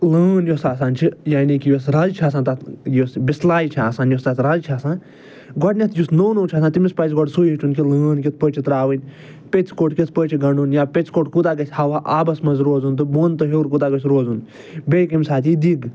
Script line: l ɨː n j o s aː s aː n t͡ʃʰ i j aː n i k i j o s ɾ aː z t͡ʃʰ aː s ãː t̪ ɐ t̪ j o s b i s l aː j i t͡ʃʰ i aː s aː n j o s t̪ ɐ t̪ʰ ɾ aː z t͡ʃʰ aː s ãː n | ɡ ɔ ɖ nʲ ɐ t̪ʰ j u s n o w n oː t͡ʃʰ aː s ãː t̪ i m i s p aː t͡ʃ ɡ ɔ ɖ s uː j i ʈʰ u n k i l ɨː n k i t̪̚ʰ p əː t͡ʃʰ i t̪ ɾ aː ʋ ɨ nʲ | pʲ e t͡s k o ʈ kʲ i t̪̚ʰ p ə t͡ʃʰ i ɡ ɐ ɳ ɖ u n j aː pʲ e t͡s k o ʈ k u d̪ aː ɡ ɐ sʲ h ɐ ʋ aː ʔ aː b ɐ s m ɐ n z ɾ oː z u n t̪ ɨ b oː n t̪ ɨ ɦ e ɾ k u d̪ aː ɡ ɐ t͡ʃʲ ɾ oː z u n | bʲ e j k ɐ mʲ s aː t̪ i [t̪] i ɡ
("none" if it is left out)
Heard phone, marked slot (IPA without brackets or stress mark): d̪